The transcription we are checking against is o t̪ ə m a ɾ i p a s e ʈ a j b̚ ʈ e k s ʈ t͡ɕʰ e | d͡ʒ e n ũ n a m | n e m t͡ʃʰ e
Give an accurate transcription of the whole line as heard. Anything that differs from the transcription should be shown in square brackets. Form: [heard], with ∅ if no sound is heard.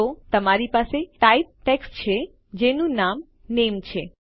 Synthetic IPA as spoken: o t̪ ə m a ɾ i p a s e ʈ a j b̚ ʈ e k s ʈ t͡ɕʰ e | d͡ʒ e n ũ n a m | n e m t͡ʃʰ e